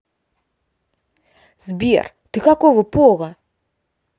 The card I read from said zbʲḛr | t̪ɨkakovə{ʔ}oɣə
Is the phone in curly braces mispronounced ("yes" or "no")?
yes